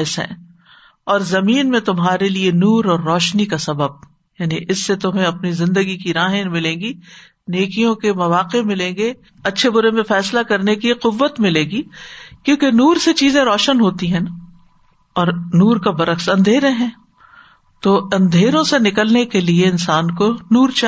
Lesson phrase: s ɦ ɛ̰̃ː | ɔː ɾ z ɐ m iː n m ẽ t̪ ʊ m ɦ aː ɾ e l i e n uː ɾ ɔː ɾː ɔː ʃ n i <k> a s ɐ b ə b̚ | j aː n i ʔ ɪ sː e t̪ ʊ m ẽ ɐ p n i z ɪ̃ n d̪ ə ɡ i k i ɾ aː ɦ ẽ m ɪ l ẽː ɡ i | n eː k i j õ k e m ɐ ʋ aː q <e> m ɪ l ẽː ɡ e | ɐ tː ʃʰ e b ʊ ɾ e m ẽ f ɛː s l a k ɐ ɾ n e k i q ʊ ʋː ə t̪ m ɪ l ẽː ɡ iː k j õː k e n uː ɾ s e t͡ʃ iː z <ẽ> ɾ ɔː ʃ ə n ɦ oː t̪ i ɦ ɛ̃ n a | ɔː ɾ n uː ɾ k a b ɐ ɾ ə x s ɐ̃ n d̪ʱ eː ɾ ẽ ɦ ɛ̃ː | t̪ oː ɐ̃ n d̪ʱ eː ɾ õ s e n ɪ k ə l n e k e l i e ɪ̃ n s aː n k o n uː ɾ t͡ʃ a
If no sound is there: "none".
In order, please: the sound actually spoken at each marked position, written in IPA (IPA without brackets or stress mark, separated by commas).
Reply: k, e, ẽ